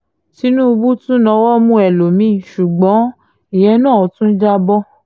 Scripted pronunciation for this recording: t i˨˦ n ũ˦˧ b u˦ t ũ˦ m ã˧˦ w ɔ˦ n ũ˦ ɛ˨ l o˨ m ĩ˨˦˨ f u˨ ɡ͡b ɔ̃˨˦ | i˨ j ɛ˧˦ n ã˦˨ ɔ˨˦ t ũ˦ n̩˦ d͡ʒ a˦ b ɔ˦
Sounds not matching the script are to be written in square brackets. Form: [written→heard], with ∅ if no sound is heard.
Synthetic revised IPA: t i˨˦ n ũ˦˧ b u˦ t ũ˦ [m→n] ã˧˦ w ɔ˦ [n→m] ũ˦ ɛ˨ l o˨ m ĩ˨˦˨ [f→ʃ] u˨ ɡ͡b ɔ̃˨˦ | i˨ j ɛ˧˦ n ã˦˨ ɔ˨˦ t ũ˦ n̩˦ d͡ʒ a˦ b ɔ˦